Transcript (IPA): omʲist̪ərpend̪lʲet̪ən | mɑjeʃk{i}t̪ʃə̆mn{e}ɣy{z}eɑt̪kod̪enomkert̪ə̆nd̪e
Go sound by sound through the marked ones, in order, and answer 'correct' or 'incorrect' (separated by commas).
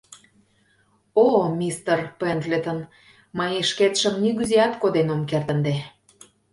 incorrect, incorrect, correct